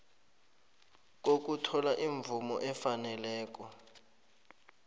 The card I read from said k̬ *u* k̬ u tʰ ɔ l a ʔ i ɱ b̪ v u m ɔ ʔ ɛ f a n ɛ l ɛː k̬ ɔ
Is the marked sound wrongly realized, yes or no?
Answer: yes